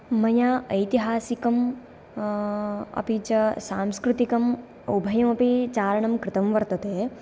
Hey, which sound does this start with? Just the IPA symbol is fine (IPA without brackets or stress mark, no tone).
m